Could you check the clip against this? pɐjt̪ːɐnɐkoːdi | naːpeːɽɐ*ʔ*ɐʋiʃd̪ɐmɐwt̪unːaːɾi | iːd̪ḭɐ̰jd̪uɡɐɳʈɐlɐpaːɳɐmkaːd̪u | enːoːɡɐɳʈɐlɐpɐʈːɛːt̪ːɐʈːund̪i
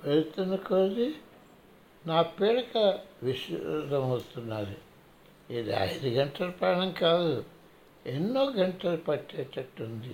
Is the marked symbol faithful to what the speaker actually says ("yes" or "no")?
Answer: no